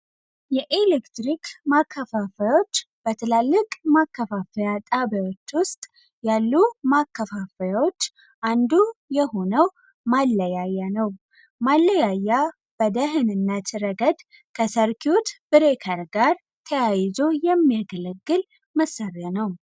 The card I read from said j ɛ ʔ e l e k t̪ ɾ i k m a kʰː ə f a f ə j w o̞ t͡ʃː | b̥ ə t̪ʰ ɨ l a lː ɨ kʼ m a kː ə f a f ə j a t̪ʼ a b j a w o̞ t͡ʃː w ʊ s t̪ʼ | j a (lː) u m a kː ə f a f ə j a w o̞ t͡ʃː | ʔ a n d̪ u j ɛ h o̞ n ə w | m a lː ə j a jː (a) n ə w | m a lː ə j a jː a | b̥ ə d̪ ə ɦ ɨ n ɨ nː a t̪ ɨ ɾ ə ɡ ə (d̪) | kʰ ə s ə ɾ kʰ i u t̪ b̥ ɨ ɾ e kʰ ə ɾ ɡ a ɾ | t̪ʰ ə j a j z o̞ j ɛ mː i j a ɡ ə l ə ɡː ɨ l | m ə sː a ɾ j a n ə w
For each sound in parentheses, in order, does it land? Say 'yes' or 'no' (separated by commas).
yes, yes, yes